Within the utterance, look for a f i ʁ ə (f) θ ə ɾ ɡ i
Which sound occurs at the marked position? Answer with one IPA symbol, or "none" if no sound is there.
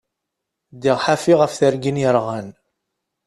f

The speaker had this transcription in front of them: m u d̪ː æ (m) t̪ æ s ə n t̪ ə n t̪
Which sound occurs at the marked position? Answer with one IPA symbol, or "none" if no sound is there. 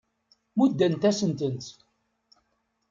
n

